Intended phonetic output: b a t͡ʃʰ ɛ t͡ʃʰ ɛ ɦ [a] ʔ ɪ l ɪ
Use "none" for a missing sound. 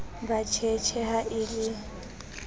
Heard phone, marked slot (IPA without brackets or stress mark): a